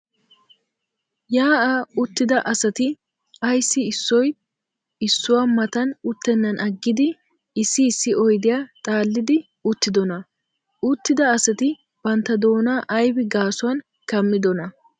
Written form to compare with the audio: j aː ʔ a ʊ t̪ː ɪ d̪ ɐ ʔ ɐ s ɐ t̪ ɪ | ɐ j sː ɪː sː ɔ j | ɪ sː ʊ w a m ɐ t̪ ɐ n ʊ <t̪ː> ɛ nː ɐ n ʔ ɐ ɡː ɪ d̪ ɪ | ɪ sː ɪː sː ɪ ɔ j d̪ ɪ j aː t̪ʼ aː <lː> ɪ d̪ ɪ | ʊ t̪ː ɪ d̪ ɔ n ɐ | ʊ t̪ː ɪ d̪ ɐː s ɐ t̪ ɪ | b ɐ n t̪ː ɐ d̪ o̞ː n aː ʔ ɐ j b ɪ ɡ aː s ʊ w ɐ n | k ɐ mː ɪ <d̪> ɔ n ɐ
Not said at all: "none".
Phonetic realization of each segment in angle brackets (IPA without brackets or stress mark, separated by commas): t̪ː, lː, d̪